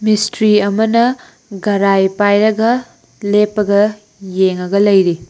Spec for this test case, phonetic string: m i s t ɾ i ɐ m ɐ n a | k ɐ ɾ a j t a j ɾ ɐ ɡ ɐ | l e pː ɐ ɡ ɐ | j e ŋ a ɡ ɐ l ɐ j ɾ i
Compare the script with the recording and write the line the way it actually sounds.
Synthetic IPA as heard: m i s t ɾ i ɐ m ɐ n ɐ | ɡ ɐ ɾ a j p a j ɾ ɐ ɡ ɐ | l e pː ɐ ɡ ɐ | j e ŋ ɐ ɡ ɐ l ɐ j ɾ i